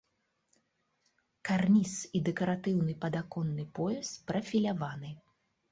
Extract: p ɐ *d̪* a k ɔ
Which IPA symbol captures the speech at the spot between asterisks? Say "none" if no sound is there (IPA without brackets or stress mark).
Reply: d̪